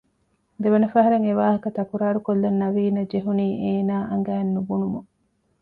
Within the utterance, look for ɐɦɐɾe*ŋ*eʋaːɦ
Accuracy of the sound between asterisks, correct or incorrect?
correct